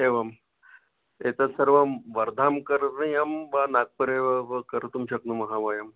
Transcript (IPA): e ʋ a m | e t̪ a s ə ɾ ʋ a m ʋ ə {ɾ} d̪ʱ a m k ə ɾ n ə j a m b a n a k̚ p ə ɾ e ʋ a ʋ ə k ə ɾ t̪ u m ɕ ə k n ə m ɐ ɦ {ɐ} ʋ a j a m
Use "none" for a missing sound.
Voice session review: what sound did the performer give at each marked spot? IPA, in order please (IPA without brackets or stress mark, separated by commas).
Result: ɾ, a